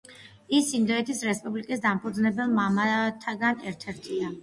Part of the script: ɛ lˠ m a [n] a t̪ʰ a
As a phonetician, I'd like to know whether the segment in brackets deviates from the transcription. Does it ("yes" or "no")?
yes